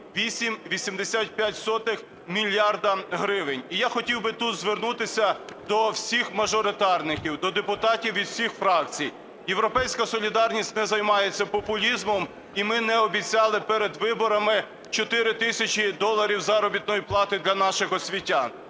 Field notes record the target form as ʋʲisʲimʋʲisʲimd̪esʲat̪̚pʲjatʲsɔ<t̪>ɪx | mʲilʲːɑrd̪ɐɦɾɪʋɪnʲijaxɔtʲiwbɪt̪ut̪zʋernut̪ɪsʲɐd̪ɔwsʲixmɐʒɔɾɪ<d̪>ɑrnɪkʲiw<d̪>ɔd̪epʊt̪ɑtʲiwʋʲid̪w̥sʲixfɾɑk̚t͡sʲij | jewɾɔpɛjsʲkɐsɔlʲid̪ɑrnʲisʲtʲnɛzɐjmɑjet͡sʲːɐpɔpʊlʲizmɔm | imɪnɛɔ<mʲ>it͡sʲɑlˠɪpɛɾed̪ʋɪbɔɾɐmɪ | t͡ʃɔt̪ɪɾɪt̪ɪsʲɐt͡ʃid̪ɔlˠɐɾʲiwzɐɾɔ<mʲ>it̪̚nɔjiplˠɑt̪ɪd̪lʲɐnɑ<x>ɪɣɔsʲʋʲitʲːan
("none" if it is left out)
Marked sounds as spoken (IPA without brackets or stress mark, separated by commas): t̪, t̪, d̪, bʲ, bʲ, ʃ